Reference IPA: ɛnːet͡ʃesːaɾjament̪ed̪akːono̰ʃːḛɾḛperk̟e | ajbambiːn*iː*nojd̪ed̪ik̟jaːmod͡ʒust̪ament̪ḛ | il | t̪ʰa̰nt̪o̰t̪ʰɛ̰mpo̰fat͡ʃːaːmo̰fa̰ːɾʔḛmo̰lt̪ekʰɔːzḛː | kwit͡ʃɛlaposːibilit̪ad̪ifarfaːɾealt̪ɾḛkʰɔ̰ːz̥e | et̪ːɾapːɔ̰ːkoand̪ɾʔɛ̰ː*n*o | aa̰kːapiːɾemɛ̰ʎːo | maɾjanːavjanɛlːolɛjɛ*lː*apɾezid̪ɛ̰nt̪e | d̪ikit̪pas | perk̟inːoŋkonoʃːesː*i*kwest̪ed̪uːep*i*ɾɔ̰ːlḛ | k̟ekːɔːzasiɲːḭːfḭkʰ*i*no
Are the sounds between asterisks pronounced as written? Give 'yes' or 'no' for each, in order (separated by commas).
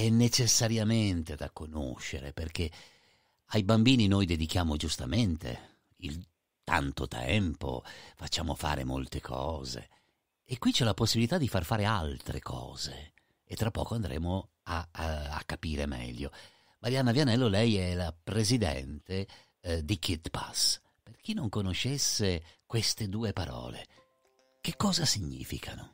no, no, no, no, no, no